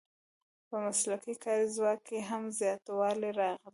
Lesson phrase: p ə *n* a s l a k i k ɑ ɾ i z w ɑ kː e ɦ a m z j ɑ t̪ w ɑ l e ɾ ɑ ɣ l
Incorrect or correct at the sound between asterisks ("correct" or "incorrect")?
incorrect